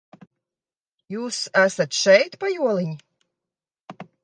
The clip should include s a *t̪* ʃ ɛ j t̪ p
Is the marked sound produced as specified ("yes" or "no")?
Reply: yes